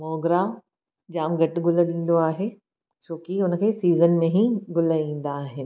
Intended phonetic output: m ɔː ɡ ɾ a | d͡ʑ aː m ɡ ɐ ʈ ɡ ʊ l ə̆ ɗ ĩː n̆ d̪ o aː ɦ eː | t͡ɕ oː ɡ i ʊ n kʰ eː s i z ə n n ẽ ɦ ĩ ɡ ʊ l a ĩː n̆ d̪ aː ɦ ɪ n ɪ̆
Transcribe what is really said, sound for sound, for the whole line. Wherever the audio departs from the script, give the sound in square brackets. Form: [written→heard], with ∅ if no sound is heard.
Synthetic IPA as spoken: m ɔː ɡ ɾ a | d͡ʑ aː m ɡ ɐ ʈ ɡ ʊ l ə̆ ɗ ĩː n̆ d̪ o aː ɦ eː | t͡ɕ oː [ɡ→k] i ʊ n kʰ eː s [i→iː] z ə n [n→m] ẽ ɦ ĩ ɡ ʊ l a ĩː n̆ d̪ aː ɦ ɪ n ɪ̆

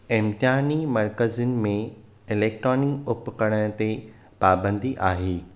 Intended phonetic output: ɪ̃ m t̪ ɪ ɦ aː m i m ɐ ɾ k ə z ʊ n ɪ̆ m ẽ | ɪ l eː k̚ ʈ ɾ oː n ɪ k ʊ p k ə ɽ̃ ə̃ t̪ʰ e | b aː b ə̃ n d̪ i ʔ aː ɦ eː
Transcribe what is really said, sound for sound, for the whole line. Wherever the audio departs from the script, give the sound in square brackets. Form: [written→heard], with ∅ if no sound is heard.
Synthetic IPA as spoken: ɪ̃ m t̪ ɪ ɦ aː [m→n] i m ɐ ɾ k ə z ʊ n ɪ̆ m ẽ | ɪ l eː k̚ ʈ ɾ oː n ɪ k ʊ p k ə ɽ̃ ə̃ [t̪ʰ→t̪] e | [b→p] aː b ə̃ n d̪ i ʔ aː ɦ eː

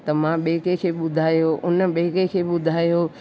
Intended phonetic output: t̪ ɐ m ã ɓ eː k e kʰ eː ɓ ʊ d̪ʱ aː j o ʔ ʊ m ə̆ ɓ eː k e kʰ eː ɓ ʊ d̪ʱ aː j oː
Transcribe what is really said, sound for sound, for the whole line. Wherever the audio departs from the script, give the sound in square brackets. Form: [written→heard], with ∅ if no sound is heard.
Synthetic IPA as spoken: t̪ ɐ m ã ɓ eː k e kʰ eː ɓ ʊ d̪ʱ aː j o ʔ ʊ [m→n] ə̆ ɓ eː k e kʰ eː ɓ ʊ d̪ʱ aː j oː

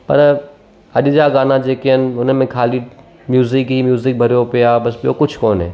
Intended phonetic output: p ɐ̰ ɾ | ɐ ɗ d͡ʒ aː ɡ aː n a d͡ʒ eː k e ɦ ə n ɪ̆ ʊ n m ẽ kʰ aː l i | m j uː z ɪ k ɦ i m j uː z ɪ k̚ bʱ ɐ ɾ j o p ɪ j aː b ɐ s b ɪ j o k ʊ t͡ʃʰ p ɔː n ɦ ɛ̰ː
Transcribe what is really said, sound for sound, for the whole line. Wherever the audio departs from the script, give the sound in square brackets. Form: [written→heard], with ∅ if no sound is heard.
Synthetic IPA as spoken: p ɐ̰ ɾ | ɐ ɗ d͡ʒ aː ɡ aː n a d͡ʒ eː k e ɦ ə n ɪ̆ ʊ n m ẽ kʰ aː l i | m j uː z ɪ k ɦ i m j uː z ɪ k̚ bʱ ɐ ɾ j o p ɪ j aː b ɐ s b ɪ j o k ʊ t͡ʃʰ [p→k] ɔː n ɦ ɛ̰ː

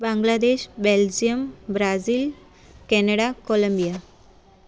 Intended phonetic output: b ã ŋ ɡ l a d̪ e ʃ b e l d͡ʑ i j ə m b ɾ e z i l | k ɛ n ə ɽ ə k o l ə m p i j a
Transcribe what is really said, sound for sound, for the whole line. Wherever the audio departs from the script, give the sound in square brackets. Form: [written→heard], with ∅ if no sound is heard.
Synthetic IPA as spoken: b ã ŋ ɡ l a d̪ e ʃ b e l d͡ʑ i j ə m b ɾ [e→a] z i l | k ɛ n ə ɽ [ə→a] k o l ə m [p→b] i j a

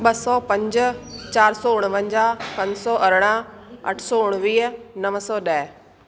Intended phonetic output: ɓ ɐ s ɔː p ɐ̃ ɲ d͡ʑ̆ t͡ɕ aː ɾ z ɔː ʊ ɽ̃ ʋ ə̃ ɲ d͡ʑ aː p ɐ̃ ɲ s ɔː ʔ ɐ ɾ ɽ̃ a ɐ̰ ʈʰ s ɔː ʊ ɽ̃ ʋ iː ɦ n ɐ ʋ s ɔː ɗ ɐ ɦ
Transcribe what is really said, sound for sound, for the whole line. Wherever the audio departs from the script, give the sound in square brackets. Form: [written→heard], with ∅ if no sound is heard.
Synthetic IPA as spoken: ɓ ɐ s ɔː p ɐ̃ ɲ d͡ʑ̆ t͡ɕ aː ɾ [z→s] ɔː ʊ ɽ̃ ʋ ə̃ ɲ d͡ʑ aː p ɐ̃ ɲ s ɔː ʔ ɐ ɾ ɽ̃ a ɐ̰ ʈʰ s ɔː ʊ ɽ̃ ʋ iː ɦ n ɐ ʋ s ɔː ɗ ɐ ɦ

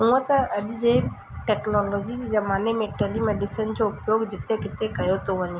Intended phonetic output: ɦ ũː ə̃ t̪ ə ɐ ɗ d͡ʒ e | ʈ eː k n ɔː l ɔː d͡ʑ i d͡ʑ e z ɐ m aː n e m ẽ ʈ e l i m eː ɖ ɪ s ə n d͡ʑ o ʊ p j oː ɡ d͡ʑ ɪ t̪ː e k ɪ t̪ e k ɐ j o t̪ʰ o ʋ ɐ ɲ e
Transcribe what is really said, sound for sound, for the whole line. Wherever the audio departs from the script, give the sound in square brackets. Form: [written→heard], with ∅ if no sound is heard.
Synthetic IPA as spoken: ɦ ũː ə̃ t̪ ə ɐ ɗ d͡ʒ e | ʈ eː k n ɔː l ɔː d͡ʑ i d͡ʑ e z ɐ m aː n e m ẽ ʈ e l i m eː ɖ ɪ s ə n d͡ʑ o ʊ p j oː ɡ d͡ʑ ɪ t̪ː e k ɪ t̪ e k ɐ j o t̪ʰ o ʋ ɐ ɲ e

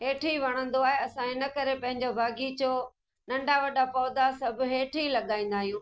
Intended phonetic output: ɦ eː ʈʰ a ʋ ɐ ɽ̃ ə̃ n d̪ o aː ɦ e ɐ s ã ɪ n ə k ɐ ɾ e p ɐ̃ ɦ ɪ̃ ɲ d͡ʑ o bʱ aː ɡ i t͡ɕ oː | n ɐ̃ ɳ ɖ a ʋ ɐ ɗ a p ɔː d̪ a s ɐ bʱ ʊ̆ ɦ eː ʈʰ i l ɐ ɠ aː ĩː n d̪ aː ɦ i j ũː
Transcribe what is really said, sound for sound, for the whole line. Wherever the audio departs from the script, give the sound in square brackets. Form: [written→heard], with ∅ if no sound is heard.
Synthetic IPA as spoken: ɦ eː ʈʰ [a→i] ʋ ɐ ɽ̃ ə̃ n d̪ o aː ɦ e ɐ s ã ɪ n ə k ɐ ɾ e p ɐ̃ ɦ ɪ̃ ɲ d͡ʑ o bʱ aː ɡ i t͡ɕ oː | n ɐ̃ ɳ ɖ a ʋ ɐ ɗ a p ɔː d̪ a s ɐ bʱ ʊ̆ ɦ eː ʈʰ i l ɐ ɠ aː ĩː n d̪ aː ɦ i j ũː

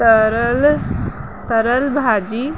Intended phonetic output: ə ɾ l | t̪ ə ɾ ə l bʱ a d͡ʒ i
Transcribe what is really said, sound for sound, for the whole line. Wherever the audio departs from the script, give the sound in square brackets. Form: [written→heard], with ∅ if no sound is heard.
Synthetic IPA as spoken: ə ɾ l | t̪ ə ɾ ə l bʱ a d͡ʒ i

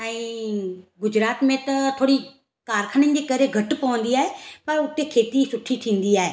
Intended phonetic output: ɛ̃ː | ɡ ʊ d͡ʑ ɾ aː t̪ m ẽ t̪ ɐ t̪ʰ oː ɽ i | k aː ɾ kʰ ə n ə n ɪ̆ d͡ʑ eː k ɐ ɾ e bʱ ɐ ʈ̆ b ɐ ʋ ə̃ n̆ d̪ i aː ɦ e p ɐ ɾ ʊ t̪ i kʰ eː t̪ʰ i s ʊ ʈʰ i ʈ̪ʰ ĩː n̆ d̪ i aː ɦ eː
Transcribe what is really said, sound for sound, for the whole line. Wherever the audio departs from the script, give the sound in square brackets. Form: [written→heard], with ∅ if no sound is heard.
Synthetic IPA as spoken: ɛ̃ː | ɡ ʊ d͡ʑ ɾ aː t̪ m ẽ t̪ ɐ t̪ʰ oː ɽ i | k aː ɾ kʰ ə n ə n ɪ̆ d͡ʑ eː k ɐ ɾ e [bʱ→ɡʱ] ɐ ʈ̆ [b→p] ɐ ʋ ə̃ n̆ d̪ i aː ɦ e p ɐ ɾ ʊ t̪ [i→e] kʰ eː [t̪ʰ→t̪] i s ʊ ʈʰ i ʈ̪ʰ ĩː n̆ d̪ i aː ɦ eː

